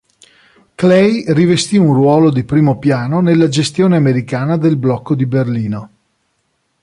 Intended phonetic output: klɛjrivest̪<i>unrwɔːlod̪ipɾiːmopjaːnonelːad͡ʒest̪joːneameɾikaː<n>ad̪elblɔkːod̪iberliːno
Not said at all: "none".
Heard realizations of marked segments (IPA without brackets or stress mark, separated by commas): i, n